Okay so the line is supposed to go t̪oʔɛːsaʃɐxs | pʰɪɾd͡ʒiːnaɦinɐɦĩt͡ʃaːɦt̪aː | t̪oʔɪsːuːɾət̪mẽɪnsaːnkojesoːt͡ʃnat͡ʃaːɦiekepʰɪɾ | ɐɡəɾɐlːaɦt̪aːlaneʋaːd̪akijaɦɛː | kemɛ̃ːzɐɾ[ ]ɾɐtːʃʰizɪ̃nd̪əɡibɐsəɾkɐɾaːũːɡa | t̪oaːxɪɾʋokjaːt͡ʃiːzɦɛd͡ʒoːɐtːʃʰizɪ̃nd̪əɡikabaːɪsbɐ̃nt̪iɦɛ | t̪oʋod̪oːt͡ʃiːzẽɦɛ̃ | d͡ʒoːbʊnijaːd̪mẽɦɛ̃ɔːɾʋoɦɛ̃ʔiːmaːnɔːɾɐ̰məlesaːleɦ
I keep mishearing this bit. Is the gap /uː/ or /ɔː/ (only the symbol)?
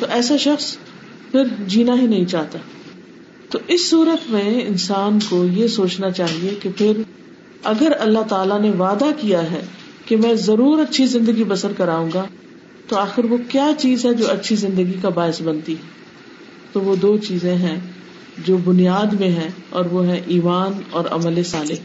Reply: uː